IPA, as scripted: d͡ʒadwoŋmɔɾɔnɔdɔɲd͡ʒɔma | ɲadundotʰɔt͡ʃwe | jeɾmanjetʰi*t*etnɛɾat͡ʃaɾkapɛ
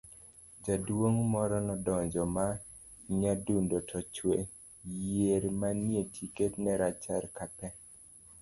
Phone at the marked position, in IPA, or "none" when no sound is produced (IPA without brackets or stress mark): k